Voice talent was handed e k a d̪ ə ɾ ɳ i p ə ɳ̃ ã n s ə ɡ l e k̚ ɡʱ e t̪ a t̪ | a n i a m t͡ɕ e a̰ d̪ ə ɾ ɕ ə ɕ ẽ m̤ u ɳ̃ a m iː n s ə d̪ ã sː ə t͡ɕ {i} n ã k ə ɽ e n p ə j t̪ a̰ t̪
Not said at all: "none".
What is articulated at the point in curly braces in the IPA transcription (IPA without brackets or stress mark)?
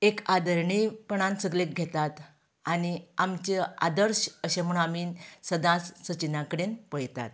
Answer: i